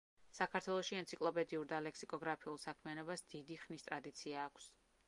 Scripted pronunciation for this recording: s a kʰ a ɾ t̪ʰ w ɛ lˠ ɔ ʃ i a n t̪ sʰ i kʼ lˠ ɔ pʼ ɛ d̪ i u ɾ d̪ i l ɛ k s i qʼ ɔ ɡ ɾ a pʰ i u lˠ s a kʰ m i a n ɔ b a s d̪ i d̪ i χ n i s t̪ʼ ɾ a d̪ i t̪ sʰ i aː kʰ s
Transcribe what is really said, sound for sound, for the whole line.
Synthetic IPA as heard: s a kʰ a ɾ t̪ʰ w ɛ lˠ ɔ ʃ i ɛ n t̪ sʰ i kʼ lˠ ɔ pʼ ɛ d̪ i u ɾ d̪ a l ɛ k s i kʼ ɔ ɡ ɾ a pʰ i u lˠ s a kʰ m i a n ɔ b a s d̪ i d̪ i χ n i s t̪ʼ ɾ a d̪ i t̪ sʰ i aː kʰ s